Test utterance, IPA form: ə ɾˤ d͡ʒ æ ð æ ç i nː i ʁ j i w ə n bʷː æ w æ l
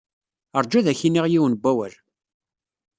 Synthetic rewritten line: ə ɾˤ d͡ʒ æ ð æ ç i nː i ʁ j i w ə n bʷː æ w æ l